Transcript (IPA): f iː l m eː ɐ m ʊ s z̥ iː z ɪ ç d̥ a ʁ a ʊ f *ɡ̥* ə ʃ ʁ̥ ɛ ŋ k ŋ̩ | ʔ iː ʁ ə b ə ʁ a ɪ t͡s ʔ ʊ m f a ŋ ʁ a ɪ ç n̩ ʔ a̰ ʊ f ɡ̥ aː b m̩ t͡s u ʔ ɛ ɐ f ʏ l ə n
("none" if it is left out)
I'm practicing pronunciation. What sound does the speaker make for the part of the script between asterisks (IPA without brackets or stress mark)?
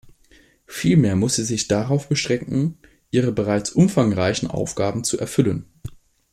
b̥